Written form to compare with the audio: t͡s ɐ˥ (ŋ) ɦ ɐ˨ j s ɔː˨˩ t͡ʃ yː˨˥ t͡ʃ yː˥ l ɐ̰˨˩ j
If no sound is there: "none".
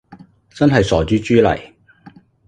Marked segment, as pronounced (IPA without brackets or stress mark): n